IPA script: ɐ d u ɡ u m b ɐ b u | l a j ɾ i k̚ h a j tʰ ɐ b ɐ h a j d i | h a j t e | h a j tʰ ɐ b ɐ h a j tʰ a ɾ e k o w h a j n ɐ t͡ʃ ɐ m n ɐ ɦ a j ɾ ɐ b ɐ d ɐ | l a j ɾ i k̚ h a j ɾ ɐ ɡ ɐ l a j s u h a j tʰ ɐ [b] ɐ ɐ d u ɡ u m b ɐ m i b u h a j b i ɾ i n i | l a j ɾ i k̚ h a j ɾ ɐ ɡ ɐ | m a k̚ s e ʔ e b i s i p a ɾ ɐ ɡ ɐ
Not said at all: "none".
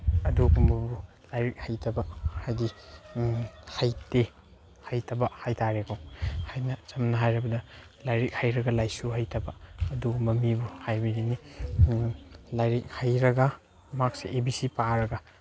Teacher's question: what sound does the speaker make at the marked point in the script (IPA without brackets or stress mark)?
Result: b